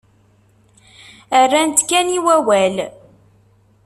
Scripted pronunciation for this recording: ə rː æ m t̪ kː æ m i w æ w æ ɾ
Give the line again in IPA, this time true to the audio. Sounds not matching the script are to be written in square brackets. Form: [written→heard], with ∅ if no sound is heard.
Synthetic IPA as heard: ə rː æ [m→n] t̪ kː æ [m→n] i w æ w æ [ɾ→l]